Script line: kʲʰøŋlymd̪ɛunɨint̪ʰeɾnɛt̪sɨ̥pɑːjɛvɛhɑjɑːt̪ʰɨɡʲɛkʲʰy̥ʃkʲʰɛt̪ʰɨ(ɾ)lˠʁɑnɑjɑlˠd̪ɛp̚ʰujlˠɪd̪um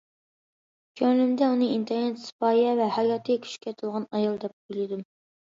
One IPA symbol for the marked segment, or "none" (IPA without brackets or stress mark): none